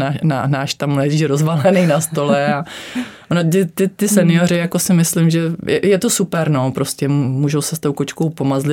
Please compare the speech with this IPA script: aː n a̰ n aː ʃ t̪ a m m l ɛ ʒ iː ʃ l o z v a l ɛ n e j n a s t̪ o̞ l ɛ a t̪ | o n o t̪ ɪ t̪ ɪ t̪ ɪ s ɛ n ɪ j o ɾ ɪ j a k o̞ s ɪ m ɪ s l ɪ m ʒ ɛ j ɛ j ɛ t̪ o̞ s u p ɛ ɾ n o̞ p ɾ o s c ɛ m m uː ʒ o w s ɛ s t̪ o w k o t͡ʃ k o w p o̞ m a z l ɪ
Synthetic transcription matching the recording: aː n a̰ n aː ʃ t̪ a m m l ɛ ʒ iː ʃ ɾ o z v a l ɛ n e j n a s t̪ o̞ l ɛ a | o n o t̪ ɪ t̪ ɪ t̪ ɪ s ɛ n ɪ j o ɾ ɪ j a k o̞ s ɪ m ɪ s l ɪ m ʒ ɛ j ɛ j ɛ t̪ o̞ s u p ɛ ɾ n o̞ p ɾ o s c ɛ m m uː ʒ o w s ɛ s t̪ o w k o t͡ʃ k o w p o̞ m a z l ɪ